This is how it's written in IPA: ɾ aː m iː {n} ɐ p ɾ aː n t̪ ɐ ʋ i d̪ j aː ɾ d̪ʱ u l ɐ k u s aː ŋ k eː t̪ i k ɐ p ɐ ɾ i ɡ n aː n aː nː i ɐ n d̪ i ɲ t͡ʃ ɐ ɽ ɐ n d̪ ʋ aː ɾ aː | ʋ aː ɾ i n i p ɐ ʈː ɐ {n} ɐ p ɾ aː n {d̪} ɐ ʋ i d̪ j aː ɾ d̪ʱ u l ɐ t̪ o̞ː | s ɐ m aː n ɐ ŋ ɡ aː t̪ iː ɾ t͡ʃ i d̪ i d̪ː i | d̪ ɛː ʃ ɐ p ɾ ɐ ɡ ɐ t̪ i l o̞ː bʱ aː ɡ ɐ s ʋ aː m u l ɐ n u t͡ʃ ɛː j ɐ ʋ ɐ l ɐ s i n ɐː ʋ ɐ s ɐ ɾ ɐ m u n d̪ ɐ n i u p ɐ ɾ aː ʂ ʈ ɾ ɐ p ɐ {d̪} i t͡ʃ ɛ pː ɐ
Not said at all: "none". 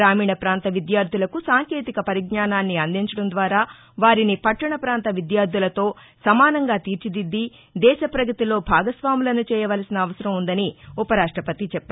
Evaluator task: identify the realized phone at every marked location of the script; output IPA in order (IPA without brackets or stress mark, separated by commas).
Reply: ɳ, ɳ, t̪, t̪